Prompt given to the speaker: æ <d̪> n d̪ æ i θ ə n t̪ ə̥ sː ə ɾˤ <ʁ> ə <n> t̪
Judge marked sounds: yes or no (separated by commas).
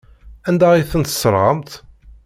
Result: no, yes, no